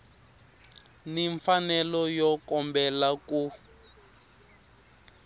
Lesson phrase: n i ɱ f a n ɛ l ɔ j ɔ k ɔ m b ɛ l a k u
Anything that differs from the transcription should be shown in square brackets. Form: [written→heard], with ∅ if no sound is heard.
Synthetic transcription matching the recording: n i ɱ f a n ɛ l ɔ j ɔ k ɔ m b ɛ l a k u